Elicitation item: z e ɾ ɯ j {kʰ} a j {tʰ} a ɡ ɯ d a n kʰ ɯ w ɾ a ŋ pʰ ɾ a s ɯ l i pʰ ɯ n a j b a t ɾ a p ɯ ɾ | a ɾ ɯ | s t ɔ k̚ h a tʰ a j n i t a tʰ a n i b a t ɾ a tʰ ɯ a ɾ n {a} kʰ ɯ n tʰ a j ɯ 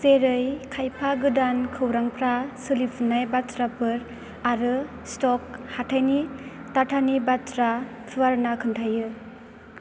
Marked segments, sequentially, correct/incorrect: correct, incorrect, correct

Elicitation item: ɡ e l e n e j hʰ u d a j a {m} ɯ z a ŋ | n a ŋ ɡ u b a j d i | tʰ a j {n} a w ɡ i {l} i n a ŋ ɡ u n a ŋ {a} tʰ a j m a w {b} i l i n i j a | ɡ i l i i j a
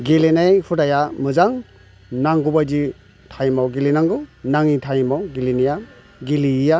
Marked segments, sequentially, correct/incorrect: correct, incorrect, correct, incorrect, incorrect

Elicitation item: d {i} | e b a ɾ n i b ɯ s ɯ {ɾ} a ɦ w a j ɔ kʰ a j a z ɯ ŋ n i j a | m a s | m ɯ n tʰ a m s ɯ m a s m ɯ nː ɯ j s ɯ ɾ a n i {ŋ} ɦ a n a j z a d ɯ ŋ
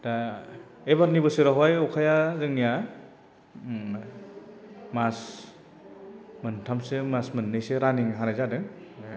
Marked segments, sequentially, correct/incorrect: incorrect, correct, correct

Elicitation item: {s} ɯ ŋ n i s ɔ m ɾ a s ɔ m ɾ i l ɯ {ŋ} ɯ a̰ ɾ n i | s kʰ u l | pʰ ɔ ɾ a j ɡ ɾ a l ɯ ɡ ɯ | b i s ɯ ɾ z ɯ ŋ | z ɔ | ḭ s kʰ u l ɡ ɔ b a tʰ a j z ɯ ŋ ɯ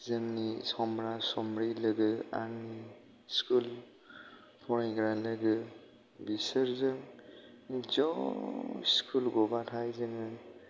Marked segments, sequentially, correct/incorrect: incorrect, incorrect

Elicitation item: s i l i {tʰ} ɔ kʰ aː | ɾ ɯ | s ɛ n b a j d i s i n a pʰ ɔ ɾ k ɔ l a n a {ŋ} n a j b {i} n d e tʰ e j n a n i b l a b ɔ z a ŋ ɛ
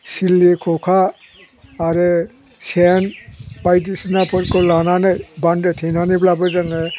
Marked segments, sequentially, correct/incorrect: incorrect, incorrect, incorrect

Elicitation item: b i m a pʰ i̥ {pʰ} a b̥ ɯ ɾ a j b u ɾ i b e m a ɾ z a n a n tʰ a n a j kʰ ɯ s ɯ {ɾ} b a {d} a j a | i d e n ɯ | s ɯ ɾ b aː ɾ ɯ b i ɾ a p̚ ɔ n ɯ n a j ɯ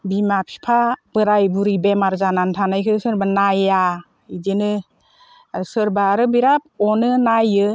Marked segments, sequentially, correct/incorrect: correct, correct, incorrect

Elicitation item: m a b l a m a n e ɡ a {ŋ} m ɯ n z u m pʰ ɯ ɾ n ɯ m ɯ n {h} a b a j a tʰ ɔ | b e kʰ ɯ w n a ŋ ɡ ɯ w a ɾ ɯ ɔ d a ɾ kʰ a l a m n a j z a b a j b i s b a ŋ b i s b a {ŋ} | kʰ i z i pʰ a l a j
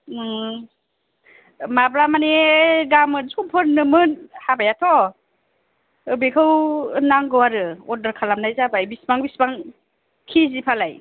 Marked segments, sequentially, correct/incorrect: incorrect, correct, correct

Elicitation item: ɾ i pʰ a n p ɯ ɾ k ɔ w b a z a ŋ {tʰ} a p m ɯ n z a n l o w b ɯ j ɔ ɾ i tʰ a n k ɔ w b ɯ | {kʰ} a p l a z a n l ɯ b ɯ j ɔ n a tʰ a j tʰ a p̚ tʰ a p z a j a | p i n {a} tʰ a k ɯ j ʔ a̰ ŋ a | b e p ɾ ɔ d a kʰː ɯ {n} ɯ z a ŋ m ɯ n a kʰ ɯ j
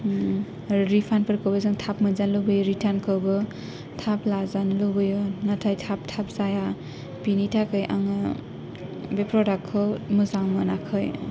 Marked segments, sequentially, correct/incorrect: correct, incorrect, incorrect, incorrect

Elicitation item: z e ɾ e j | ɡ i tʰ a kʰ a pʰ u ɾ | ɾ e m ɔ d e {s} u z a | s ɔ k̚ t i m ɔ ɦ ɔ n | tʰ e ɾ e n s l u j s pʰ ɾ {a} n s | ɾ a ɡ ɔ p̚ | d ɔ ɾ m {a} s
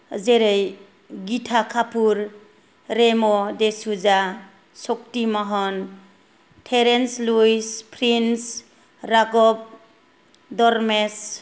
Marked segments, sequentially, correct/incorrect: correct, incorrect, incorrect

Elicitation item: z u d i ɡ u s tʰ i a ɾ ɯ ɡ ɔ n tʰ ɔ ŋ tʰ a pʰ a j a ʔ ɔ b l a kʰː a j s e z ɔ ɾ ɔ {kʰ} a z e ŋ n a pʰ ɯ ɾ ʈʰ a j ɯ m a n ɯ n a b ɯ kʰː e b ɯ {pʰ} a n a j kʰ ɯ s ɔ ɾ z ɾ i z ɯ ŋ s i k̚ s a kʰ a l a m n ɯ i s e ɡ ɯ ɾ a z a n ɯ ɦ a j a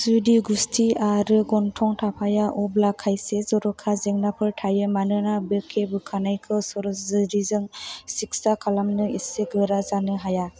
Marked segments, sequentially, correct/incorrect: correct, incorrect

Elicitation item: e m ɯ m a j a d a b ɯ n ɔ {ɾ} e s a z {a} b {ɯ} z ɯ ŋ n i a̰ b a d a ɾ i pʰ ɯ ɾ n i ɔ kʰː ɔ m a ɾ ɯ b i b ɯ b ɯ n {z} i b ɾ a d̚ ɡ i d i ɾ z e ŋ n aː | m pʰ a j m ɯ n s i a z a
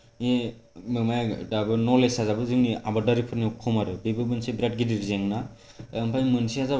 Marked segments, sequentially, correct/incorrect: incorrect, correct, correct, incorrect

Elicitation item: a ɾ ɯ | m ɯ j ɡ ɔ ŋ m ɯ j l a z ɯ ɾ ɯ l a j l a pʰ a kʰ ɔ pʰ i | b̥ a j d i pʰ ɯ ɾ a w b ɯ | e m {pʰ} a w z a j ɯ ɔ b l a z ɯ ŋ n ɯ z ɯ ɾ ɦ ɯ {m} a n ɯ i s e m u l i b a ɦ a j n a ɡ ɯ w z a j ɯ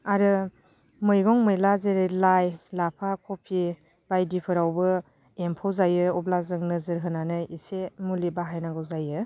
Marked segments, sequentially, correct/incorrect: correct, incorrect

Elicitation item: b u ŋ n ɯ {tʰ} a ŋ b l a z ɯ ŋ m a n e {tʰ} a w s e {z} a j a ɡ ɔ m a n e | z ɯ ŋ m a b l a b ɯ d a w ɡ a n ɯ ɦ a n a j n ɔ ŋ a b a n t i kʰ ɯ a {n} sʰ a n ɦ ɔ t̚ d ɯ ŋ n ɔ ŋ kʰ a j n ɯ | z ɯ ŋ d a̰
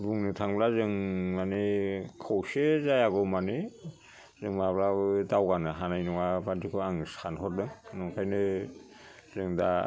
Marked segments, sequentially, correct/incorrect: correct, incorrect, correct, incorrect

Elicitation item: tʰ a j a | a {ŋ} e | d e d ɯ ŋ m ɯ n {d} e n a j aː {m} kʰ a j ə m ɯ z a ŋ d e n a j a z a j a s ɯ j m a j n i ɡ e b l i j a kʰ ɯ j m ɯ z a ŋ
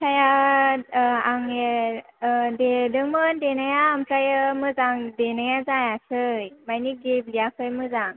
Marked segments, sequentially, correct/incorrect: correct, correct, correct

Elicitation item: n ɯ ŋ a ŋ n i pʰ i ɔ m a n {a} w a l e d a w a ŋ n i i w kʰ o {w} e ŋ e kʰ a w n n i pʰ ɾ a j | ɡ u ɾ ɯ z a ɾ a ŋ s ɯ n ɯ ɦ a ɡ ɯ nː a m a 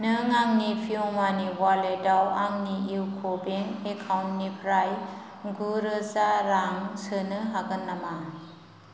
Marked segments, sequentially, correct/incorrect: incorrect, incorrect

